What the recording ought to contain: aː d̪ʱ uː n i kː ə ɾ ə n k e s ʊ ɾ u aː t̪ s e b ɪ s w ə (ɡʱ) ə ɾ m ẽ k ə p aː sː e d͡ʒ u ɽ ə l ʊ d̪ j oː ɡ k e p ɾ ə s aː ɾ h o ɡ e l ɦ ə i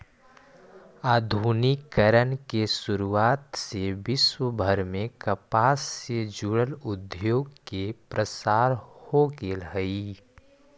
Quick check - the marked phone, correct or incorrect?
incorrect